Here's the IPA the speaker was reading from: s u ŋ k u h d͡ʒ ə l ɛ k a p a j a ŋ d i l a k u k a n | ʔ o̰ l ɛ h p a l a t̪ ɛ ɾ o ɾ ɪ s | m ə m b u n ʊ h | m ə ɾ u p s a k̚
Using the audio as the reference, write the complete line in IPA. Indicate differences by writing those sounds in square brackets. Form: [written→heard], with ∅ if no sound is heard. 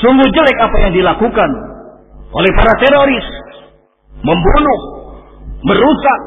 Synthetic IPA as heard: s u ŋ [k→ɡ] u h d͡ʒ ə l ɛ k a p a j a ŋ d i l a k u k a n | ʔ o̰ l ɛ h p a [l→ɾ] a t̪ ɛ ɾ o ɾ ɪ s | m ə m b u n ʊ h | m ə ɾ u [p→∅] s a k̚